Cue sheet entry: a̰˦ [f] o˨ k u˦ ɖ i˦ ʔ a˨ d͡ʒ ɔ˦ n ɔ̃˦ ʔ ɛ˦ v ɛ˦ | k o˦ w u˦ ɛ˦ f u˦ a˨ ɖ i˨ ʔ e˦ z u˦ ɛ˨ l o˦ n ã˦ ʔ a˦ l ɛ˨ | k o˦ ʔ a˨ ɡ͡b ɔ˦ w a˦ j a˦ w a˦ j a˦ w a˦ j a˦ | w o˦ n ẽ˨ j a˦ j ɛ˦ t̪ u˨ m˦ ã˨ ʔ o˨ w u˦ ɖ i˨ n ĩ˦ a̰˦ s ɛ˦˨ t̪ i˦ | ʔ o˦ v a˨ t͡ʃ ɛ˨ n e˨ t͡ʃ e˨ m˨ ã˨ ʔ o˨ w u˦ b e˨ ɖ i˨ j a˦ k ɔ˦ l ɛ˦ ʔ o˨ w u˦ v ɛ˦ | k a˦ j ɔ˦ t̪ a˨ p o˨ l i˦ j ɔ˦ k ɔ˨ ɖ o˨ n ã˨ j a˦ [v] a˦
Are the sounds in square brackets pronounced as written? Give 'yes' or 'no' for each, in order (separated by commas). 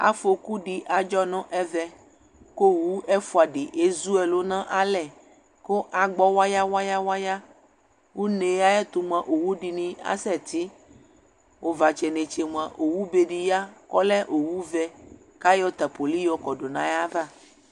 yes, yes